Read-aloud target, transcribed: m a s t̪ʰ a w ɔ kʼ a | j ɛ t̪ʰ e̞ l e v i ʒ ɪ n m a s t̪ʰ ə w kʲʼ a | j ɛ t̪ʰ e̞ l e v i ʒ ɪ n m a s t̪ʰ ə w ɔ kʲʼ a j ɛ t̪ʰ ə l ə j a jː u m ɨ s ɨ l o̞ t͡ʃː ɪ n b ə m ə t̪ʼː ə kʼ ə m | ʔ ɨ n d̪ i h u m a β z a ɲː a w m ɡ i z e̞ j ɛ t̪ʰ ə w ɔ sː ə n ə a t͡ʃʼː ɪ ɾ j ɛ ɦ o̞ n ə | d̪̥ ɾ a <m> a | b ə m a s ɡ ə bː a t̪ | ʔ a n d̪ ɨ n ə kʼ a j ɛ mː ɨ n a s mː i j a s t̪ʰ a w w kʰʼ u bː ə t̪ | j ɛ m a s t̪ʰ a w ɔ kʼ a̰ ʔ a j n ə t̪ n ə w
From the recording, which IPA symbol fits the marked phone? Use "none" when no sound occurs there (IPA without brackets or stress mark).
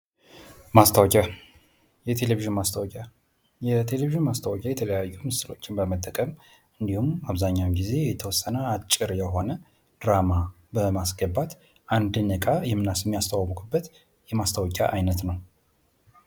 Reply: m